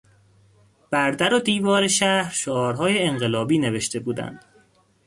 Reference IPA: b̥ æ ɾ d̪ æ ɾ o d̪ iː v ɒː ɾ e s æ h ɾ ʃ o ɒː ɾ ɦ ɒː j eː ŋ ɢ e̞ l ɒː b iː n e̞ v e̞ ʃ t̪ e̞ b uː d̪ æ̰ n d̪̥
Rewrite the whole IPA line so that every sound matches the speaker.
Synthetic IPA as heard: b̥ æ ɾ d̪ æ ɾ o d̪ iː v ɒː ɾ e ʃ æ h ɾ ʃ o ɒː ɾ ɦ ɒː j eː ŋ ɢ e̞ l ɒː b iː n e̞ v e̞ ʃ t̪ e̞ b uː d̪ æ̰ n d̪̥